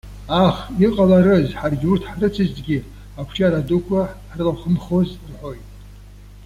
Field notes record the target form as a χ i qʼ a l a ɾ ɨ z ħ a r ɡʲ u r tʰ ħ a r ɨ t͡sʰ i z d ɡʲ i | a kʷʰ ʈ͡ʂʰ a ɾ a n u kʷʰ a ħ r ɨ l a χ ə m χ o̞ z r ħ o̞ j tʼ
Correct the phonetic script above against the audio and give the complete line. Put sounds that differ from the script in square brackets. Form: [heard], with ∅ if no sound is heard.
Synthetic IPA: a χ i qʼ a l a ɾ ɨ z ħ a r ɡʲ u r tʰ ħ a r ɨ t͡sʰ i z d ɡʲ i | a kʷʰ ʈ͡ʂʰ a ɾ a [d] u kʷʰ a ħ r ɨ l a χ ə m χ o̞ z r ħ o̞ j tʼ